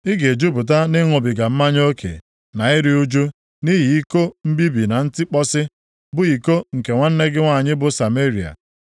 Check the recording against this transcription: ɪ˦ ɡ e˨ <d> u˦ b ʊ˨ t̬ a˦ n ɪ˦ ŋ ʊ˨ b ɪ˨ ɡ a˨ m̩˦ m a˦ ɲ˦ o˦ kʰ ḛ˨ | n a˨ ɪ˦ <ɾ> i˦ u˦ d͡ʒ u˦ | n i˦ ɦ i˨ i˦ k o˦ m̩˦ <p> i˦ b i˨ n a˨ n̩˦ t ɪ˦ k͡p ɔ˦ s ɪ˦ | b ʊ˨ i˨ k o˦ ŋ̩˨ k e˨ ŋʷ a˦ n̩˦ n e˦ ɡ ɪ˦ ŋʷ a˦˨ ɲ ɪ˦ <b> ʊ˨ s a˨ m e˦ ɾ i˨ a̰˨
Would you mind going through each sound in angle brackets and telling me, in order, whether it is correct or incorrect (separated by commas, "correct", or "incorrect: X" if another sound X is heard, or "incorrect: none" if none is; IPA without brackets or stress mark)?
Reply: incorrect: d͡ʒ, correct, incorrect: b, correct